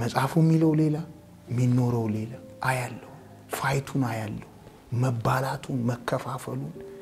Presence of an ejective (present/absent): present